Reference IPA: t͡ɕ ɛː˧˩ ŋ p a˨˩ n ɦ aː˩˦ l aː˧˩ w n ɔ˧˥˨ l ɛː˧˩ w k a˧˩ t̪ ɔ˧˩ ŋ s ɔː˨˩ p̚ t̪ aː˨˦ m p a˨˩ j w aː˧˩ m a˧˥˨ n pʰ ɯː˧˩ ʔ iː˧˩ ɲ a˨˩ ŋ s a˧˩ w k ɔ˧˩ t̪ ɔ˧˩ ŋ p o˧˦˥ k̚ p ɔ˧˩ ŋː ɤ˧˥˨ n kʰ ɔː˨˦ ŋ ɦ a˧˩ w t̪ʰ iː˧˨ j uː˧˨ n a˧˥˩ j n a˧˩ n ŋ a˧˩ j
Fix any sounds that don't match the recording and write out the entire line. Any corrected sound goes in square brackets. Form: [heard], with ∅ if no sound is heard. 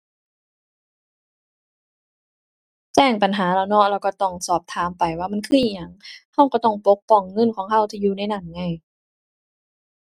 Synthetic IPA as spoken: t͡ɕ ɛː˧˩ ŋ p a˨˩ n ɦ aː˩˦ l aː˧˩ w n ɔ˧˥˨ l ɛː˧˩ w k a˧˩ t̪ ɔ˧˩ ŋ s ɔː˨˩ p̚ [t̪ʰ] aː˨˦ m p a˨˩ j w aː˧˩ m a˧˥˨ n [kʰ] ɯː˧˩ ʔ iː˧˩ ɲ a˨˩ ŋ [h] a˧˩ w k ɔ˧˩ t̪ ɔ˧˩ ŋ p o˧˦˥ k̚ p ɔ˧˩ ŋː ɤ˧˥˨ n kʰ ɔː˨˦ ŋ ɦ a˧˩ w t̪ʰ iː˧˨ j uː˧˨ n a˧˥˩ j n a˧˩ n ŋ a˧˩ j